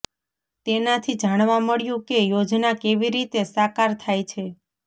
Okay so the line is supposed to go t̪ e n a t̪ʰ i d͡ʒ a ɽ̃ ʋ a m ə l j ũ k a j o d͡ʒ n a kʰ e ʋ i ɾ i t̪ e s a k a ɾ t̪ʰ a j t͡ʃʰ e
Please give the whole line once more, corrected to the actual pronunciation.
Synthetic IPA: t̪ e n a t̪ʰ i d͡ʒ a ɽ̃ ʋ a m ə ɭ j ũ k e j o d͡ʒ n a k e ʋ i ɾ i t̪ e s a k a ɾ t̪ʰ a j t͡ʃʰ e

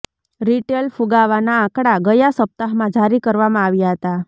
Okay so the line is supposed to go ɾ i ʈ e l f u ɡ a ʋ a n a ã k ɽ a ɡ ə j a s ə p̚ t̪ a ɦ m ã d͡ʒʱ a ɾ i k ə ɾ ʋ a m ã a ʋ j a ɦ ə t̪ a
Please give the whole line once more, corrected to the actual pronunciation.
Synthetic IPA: ɾ i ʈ e l f u ɡ a ʋ a n a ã k ɽ a ɡ ə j a s ə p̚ t̪ a ɦ m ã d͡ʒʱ a ɾ i k ə ɾ ʋ a m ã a ʋ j a ɦ ə t̪ a

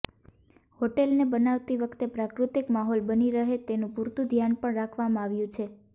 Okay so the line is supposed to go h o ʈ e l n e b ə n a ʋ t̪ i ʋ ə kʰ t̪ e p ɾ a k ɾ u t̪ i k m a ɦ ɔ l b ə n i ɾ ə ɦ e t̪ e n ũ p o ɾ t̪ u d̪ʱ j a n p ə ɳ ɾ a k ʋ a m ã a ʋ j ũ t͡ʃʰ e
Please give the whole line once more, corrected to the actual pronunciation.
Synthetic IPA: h o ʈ e l n e b ə n a ʋ t̪ i ʋ ə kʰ t̪ e p ɾ a k ɾ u t̪ i k m a ɦ ɔ l b ə n i ɾ ə ɦ e t̪ e n ũ p u ɾ t̪ u d̪ʱ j a n p ə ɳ ɾ a kʰ ʋ a m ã a ʋ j ũ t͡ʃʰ e

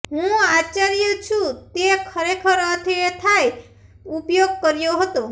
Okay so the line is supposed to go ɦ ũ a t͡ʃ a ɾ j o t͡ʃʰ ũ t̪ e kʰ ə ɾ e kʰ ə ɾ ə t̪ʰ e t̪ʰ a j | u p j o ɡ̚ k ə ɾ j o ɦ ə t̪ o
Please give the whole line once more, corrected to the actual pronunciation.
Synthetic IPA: ɦ ũ a t͡ʃ a ɾ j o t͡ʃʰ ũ t̪ e kʰ ə ɾ e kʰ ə ɾ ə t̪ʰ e t̪ʰ a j | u p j o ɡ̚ k ə ɾ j o ɦ ə t̪ o

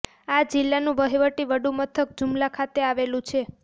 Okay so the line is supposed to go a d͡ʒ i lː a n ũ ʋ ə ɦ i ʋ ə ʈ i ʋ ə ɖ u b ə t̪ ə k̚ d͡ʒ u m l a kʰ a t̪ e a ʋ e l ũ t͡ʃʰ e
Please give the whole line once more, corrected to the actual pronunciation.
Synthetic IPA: a d͡ʒ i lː a n ũ ʋ ə ɦ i ʋ ə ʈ i ʋ ə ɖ u m ə t̪ʰ ə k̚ d͡ʒ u m l a kʰ a t̪ e a ʋ e l ũ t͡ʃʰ e

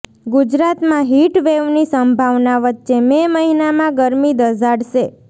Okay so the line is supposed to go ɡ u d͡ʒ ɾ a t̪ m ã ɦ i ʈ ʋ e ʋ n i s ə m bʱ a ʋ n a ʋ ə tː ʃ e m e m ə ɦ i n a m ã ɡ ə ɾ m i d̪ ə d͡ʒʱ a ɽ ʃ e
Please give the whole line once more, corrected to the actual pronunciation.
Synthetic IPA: ɡ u d͡ʒ ɾ a t̪ m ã ɦ i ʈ ʋ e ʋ n i s ə m bʱ a ʋ n a ʋ ə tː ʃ e m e m ə ɦ i n a m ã ɡ ə ɾ m i d̪ ə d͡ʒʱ a ɽ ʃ e

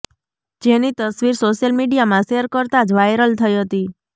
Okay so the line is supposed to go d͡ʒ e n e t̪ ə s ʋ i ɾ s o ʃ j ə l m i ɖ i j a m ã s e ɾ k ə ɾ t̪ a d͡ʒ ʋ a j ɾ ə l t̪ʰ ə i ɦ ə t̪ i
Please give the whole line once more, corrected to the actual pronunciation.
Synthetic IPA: d͡ʒ e n i t̪ ə s ʋ i ɾ s o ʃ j ə l m i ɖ i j a m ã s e ɾ k ə ɾ t̪ a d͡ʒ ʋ a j ɾ ə l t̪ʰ ə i ɦ ə t̪ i

